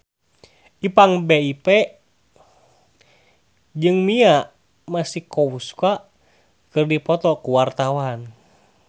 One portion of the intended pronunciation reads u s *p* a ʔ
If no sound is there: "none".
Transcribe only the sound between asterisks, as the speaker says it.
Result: k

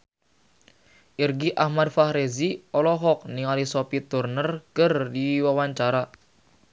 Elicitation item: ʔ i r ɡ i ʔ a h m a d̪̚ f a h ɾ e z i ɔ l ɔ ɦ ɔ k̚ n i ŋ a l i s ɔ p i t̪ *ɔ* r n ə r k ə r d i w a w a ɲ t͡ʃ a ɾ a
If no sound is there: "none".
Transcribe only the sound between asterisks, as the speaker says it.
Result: u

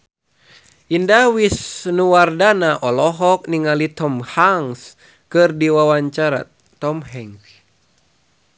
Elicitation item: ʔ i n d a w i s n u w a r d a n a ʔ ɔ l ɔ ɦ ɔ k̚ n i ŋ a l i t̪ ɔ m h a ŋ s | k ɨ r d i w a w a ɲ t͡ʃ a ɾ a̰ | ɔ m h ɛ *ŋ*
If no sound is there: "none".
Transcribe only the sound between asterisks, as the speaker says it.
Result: ŋ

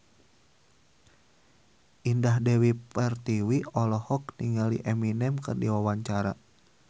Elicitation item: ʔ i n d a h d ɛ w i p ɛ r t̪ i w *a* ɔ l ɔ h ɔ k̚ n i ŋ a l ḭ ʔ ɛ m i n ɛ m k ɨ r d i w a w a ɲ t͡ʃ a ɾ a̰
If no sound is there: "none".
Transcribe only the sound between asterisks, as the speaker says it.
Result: i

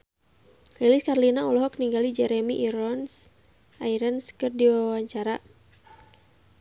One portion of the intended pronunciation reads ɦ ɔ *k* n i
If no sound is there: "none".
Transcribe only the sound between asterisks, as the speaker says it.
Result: k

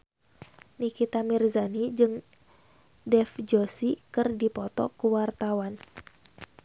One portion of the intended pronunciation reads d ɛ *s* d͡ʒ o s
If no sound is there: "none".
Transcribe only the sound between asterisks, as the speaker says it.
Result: f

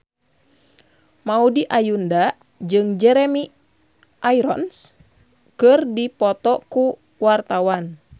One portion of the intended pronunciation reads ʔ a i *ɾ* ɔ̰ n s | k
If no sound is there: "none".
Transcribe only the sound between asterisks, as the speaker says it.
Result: ɾ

